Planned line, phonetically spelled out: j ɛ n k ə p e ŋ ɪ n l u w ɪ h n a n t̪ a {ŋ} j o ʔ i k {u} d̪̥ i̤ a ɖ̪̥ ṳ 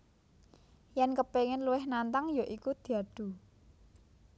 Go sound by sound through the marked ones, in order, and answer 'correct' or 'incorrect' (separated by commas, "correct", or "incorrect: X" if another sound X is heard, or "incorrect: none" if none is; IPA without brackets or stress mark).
correct, correct